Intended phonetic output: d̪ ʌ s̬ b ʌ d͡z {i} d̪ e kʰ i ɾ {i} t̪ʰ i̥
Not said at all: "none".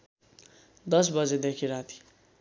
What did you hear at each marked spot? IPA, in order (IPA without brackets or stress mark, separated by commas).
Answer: e, a